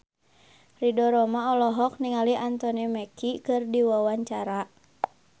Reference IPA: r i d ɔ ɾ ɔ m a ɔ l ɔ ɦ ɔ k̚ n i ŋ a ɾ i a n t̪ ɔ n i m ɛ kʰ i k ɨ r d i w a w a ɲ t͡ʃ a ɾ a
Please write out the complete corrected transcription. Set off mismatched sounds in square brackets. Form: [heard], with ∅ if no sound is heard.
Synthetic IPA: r i d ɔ ɾ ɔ m a ɔ l ɔ ɦ ɔ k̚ n i ŋ a [l] i a n t̪ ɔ n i m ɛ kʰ i k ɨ r d i w a w a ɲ t͡ʃ a ɾ a